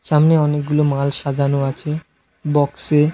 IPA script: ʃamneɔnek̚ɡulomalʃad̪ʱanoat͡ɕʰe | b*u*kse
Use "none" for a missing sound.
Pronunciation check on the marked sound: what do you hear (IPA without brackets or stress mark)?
ɔ